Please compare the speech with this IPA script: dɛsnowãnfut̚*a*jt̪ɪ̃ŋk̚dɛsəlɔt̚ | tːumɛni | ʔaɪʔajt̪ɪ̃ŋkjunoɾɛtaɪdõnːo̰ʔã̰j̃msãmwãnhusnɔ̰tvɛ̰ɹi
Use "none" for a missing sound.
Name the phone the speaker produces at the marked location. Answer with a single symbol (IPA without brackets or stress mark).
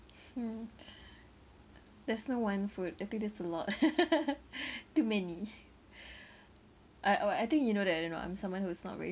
a